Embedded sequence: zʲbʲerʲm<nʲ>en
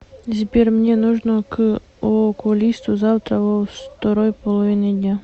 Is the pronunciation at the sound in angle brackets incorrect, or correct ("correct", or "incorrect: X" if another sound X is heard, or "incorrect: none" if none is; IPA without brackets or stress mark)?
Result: correct